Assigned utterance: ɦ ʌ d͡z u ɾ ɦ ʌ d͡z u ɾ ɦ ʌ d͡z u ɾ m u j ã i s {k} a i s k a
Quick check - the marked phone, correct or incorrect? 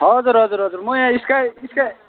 correct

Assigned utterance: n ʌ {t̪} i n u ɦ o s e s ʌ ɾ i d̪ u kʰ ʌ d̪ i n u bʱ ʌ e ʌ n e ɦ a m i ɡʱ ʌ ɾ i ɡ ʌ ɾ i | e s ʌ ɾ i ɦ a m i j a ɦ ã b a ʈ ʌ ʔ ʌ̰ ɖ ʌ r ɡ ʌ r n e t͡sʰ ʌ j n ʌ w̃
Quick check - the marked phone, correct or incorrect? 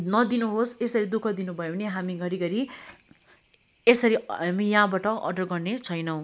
incorrect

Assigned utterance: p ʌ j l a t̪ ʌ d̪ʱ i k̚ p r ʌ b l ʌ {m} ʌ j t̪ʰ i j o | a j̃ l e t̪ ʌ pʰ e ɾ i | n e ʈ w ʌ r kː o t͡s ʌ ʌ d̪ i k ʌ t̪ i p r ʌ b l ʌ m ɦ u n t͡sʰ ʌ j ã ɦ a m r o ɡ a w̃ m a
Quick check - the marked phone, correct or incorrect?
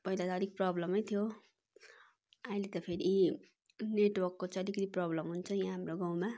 correct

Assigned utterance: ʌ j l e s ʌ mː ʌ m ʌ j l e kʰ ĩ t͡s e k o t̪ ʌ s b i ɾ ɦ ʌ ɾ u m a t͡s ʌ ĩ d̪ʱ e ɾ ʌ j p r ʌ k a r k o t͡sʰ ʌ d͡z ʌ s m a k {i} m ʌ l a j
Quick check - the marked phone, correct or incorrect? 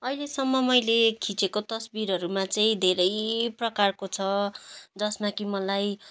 correct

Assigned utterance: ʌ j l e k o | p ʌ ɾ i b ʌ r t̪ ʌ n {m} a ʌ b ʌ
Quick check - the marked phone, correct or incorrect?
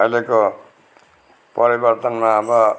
correct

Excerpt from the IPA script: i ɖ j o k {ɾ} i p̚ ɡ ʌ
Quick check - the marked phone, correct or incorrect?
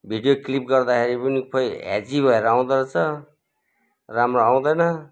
incorrect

